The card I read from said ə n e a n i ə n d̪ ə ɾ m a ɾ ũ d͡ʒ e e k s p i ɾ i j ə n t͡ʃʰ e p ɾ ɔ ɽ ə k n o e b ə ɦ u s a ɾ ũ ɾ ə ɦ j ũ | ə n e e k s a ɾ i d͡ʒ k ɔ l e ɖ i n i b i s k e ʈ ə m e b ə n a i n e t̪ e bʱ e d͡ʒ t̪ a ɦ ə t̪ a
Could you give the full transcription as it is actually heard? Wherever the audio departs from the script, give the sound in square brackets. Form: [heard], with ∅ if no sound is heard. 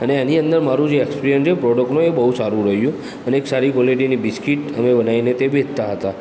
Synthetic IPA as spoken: ə n e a n i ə n d̪ ə ɾ m a ɾ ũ d͡ʒ e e k s p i ɾ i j ə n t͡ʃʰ e p ɾ ɔ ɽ ə k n o e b ə ɦ u s a ɾ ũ ɾ ə ɦ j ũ | ə n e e k s a ɾ i [∅] k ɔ l e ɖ i n i b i s k [i] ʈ ə m e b ə n a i n e t̪ e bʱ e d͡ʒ t̪ a ɦ ə t̪ a